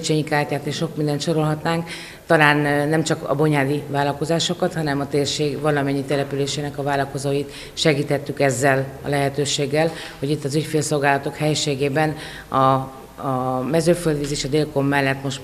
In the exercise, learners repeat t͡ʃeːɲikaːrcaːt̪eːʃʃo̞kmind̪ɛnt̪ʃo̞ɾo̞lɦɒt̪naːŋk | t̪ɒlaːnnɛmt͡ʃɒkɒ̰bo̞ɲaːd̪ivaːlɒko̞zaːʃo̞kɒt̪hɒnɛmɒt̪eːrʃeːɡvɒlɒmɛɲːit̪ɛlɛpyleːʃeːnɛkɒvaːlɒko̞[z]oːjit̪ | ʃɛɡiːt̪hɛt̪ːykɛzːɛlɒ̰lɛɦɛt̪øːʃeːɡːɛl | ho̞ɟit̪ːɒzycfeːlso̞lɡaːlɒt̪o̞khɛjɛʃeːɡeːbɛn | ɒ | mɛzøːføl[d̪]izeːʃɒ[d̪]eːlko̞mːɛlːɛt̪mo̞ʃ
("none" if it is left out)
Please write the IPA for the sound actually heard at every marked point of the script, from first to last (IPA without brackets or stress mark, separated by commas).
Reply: z, d̪, d̪